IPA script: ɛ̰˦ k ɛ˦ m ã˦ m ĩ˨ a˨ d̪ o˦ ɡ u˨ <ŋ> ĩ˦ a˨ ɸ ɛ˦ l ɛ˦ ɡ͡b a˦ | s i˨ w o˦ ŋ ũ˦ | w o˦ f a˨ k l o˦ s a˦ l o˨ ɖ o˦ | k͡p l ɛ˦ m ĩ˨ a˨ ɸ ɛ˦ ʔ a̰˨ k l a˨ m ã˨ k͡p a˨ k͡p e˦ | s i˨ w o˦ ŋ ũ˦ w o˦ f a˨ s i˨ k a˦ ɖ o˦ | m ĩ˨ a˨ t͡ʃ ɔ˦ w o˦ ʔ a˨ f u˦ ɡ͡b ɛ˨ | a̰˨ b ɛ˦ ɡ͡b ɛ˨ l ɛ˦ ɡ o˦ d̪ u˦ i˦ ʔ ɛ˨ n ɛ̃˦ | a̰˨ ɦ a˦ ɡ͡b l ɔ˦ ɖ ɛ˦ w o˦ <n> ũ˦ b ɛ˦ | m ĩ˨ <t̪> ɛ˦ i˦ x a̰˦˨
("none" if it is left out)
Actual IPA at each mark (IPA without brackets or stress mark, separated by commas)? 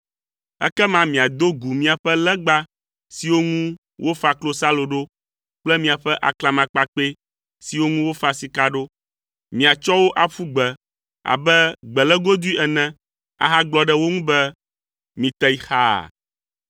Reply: m, ŋ, t̪